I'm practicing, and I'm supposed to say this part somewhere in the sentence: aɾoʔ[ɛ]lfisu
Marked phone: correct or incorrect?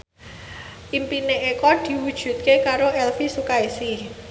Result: correct